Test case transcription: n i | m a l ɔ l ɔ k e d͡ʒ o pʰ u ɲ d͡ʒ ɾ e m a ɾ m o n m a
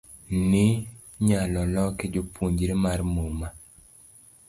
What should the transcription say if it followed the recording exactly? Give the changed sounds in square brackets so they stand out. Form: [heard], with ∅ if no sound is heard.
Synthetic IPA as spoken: n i | [ɲ] a l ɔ l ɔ k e d͡ʒ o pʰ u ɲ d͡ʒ ɾ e m a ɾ m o [∅] m a